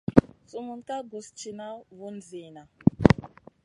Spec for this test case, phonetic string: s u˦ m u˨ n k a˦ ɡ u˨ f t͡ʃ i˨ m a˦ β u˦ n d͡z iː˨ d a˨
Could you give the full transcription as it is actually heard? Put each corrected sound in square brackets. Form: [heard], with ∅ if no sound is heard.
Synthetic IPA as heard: s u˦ m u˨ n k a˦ ɡ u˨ [s] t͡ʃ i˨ [n] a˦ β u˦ n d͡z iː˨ [n] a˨